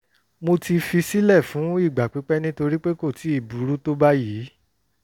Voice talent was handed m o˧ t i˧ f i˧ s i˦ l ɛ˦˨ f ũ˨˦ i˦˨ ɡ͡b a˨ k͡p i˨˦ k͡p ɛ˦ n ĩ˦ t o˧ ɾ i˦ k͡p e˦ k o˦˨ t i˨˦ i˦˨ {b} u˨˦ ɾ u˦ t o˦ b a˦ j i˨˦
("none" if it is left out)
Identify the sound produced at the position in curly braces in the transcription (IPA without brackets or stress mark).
b